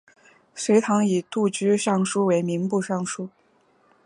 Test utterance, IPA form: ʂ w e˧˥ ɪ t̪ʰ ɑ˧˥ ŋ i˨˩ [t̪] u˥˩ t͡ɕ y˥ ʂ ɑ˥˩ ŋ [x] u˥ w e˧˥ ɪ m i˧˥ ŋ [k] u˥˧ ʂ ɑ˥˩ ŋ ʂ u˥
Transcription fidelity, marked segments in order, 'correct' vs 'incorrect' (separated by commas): correct, incorrect, incorrect